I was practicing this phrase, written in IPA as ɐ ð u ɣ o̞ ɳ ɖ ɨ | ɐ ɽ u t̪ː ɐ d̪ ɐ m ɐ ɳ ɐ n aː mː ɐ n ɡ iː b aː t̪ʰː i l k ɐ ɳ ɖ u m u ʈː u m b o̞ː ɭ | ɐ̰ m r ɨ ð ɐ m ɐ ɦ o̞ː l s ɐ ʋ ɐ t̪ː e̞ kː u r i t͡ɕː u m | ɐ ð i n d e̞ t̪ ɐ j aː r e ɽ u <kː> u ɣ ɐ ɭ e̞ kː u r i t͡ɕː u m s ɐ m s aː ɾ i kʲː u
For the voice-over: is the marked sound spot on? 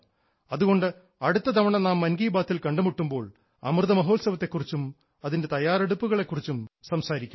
no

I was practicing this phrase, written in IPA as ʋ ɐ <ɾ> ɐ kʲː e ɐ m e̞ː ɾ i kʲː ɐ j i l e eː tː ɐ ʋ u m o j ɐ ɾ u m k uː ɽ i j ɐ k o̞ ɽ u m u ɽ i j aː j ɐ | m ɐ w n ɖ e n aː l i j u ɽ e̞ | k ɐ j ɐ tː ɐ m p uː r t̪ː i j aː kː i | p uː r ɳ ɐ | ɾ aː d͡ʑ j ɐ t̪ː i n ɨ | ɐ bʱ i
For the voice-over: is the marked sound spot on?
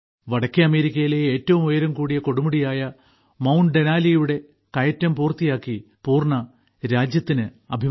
no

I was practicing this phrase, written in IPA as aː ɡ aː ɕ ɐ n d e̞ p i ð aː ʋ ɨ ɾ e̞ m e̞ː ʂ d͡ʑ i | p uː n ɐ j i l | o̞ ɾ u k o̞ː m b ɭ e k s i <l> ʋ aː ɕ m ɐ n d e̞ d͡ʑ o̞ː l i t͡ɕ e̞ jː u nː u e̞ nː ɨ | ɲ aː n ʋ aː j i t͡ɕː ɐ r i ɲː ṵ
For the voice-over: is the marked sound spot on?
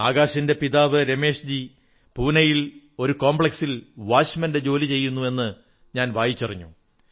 yes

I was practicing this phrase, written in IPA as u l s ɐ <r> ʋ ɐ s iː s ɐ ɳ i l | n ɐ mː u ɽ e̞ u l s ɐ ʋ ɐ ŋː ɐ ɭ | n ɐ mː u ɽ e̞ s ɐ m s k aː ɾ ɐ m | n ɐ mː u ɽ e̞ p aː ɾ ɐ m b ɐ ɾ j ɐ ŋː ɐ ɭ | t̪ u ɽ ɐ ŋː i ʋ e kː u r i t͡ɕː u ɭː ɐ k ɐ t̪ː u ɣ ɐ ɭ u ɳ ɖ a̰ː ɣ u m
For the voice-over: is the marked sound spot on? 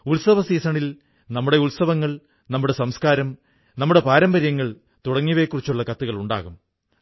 no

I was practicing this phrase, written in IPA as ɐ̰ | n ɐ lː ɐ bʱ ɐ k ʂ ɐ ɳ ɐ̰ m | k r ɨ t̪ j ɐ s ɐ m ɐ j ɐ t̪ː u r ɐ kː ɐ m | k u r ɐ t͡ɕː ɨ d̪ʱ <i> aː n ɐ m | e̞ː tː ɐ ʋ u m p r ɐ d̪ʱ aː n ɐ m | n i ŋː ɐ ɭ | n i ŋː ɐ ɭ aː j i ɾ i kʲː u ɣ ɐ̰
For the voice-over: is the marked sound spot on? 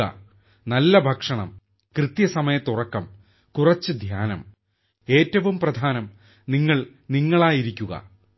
no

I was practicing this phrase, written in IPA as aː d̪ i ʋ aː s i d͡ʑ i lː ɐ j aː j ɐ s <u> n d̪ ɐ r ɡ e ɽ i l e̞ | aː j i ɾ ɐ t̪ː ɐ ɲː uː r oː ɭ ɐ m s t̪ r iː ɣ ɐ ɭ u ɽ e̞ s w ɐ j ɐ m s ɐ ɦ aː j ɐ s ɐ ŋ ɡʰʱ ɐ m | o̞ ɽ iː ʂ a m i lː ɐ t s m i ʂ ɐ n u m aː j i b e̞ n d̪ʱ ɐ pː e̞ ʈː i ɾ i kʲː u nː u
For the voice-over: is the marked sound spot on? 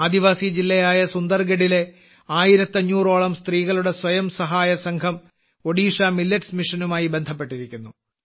yes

